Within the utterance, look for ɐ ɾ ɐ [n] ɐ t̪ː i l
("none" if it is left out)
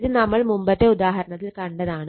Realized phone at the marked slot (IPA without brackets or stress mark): ɳ